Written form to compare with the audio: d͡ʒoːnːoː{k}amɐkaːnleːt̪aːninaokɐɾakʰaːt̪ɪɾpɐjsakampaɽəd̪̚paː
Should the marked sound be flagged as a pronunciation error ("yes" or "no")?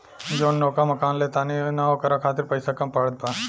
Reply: no